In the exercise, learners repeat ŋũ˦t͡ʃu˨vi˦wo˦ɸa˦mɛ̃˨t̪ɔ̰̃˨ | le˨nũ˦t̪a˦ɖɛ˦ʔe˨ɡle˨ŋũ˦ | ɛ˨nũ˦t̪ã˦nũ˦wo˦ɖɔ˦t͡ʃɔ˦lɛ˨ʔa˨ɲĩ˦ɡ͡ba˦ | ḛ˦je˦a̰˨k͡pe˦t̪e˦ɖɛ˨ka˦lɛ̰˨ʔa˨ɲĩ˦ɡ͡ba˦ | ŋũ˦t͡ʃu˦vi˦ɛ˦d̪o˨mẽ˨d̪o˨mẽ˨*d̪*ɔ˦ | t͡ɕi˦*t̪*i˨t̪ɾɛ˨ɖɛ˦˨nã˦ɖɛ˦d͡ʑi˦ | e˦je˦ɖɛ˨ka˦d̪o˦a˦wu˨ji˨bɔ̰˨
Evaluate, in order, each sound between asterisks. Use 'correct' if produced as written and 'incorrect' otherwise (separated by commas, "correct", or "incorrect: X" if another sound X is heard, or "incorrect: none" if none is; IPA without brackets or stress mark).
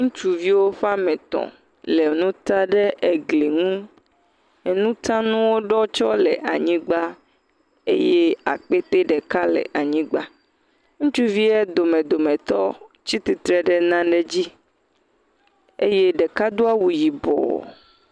incorrect: t̪, correct